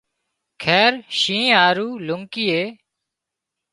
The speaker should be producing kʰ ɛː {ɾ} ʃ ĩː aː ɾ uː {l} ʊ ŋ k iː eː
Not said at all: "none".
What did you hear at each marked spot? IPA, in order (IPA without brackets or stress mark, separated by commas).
ɾ, l